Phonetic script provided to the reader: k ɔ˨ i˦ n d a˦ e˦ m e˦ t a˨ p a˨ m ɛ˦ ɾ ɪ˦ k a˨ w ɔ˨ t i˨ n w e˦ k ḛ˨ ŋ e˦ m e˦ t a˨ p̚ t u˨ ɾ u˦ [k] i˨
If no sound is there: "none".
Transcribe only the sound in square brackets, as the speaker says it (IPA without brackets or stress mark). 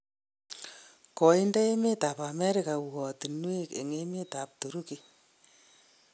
k